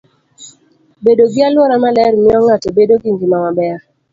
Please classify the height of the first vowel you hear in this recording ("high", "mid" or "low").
mid